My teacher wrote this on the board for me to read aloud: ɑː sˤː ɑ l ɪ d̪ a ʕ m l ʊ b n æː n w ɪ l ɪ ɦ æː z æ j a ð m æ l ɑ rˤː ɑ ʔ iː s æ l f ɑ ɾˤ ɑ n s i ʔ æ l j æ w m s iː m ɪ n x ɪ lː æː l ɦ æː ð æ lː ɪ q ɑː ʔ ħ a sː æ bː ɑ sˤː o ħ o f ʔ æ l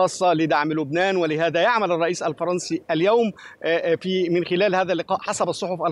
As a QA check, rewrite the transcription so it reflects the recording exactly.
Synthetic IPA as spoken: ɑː sˤː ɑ l ɪ d̪ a ʕ m l ʊ b n æː n w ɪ l ɪ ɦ æː ð æ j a ʕ m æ l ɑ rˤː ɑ ʔ iː s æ l f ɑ ɾˤ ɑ n s i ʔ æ l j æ w m f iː m ɪ n x ɪ l æː l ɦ æː ð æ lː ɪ q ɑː ʔ ħ a s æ b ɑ sˤː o ħ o f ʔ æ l